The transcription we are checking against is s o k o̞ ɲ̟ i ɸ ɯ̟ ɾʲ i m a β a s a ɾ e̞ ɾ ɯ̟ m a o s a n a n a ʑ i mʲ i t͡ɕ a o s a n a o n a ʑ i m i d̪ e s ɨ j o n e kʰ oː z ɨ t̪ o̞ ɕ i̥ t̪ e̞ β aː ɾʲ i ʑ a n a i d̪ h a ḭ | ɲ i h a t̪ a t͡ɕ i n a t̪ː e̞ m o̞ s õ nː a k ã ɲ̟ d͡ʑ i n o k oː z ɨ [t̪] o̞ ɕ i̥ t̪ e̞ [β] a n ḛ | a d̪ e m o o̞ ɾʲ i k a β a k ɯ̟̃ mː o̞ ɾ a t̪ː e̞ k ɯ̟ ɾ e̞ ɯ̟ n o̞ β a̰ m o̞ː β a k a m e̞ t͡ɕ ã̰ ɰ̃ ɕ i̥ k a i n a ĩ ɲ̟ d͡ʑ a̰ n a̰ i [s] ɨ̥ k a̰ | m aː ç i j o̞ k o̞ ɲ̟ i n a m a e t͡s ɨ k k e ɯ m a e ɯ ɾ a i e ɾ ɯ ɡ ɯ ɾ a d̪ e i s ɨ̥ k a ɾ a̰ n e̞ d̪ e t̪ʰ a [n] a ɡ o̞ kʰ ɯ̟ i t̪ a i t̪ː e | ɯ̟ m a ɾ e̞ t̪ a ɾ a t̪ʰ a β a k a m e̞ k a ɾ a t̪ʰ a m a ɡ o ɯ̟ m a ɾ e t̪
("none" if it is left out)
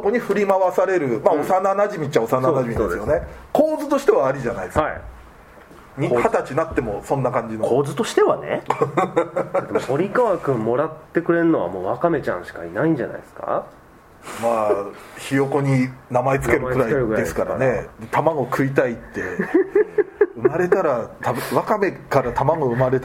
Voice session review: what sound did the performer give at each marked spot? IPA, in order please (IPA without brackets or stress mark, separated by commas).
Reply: t̪, β, s, m